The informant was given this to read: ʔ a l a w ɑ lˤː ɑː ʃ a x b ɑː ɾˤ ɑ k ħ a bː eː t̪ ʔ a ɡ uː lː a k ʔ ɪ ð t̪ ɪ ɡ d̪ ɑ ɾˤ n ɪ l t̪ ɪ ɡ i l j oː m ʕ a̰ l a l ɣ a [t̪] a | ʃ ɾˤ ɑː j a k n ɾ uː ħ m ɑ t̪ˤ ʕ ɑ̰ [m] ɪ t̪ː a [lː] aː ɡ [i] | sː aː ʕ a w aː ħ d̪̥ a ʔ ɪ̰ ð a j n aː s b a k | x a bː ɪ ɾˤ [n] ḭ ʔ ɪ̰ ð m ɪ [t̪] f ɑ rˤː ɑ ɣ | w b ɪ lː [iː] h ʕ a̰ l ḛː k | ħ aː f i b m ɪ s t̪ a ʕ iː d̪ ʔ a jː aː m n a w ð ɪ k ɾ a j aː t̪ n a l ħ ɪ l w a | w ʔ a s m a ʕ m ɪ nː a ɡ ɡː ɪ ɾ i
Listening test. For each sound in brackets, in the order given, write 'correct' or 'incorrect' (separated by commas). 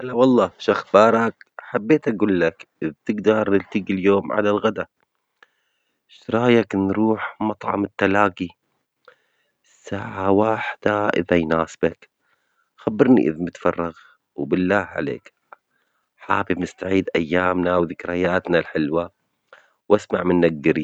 incorrect, correct, incorrect, correct, correct, correct, incorrect